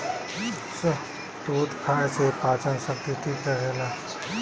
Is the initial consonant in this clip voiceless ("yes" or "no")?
yes